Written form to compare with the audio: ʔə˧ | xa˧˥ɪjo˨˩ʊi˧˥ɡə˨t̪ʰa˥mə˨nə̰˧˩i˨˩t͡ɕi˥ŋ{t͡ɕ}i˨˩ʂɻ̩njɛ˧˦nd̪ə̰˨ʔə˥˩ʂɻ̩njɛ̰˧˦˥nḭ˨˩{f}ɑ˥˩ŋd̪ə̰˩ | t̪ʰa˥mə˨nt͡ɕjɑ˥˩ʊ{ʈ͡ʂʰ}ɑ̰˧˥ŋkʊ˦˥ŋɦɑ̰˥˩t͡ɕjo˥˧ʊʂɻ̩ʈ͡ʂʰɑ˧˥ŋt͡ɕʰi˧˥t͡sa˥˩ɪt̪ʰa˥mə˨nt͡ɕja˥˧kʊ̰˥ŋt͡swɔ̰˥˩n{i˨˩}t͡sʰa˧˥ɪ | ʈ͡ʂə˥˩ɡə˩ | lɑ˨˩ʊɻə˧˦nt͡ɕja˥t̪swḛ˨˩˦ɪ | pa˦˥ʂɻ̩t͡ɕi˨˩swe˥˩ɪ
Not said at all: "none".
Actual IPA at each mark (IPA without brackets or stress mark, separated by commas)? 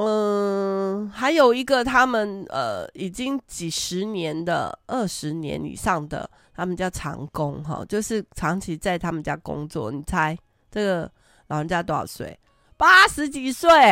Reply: t͡ɕ, ʂ, ʈ͡ʂʰ, i˨˩